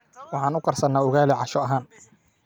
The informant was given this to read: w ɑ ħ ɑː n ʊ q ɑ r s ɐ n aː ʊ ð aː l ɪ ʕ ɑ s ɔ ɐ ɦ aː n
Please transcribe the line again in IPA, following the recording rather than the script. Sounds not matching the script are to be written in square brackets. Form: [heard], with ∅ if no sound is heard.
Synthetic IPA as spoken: w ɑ ħ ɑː n ʊ q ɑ r s ɐ n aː ʊ [ɣ] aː l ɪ ʕ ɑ [ʃ] ɔ ɐ ɦ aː n